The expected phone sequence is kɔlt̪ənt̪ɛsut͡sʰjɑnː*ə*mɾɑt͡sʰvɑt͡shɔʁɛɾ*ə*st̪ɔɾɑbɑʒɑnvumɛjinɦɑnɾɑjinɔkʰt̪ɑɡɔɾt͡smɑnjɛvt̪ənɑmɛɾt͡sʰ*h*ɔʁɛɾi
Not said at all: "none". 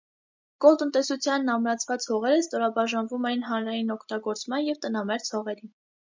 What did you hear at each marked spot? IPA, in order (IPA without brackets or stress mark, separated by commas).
ɑ, ə, h